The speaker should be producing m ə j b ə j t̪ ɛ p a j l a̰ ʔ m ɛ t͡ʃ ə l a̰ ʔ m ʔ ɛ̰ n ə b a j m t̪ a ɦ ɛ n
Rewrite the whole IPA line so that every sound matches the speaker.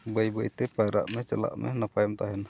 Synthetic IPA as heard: b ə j b ə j t̪ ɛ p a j ɾ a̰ ʔ m ɛ t͡ʃ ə l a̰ ʔ m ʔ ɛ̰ n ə p a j m t̪ a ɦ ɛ n